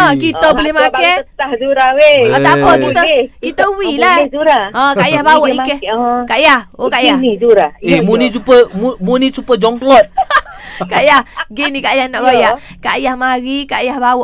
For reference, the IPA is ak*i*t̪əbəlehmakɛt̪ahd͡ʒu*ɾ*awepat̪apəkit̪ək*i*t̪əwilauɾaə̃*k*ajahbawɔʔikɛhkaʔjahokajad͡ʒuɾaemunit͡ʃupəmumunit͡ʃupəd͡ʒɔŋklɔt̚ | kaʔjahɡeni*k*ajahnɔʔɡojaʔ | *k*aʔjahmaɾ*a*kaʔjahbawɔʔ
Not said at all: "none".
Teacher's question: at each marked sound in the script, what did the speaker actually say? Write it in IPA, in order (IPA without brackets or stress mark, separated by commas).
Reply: i, ɾ, i, k, k, k, i